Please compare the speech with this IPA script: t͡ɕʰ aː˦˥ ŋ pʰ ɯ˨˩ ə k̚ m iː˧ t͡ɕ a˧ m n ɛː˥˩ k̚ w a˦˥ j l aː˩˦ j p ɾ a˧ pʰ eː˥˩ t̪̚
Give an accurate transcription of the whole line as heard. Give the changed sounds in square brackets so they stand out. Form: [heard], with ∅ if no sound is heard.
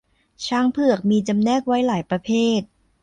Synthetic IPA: t͡ɕʰ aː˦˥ ŋ pʰ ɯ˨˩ ə k̚ m iː˧ t͡ɕ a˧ m n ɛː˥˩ k̚ w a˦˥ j l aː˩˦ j p ɾ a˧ pʰ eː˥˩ t̪̚